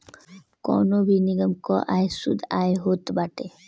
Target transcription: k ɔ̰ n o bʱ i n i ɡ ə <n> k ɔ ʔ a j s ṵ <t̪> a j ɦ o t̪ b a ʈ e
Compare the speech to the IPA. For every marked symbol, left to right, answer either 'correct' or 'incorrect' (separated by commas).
incorrect, incorrect